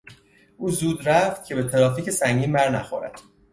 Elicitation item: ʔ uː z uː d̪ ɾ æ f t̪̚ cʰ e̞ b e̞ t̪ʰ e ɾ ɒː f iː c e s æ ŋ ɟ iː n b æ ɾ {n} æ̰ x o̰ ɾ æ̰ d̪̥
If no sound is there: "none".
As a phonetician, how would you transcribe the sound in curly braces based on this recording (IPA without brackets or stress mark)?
n